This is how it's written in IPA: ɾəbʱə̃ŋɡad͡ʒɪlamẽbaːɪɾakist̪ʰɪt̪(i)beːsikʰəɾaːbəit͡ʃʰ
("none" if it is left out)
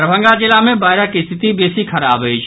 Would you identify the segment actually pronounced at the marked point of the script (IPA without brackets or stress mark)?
i